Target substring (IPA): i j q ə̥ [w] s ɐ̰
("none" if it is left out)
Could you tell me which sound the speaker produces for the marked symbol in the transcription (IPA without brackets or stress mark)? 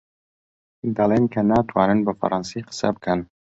none